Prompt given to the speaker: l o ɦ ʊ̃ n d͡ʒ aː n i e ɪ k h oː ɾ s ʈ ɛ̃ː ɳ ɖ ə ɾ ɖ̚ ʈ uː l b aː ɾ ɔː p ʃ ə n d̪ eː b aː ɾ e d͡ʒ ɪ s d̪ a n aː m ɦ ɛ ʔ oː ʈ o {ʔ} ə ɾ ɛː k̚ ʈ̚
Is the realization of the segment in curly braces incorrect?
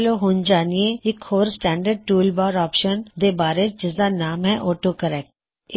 yes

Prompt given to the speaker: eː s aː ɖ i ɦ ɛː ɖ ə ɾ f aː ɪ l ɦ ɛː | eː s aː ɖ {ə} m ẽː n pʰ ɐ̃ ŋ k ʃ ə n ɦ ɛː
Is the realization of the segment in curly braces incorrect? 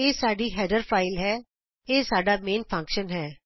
yes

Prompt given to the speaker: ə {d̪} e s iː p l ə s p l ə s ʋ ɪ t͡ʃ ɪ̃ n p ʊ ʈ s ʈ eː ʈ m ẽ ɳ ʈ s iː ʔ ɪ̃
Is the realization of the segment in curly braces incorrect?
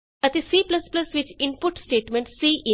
yes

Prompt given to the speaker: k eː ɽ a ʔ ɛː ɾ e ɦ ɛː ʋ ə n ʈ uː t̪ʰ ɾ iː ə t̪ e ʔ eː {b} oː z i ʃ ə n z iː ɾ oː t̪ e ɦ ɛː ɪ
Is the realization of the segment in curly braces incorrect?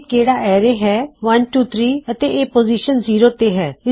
yes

